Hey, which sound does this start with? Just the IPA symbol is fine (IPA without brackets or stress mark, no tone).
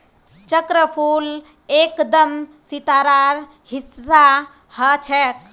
t͡ʃ